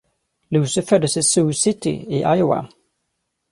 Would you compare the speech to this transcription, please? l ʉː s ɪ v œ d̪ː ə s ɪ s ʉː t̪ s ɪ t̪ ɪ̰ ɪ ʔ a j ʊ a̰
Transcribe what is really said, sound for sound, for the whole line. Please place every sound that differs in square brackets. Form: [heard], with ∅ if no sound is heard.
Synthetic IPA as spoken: l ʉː s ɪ [f] œ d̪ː ə s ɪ s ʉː [∅] s ɪ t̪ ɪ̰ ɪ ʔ a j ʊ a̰